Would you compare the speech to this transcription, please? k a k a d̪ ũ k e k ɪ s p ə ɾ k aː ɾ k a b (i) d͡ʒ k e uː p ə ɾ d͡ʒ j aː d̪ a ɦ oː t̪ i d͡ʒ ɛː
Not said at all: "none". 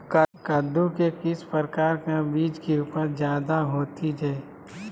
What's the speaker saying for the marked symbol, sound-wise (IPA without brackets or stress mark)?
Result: iː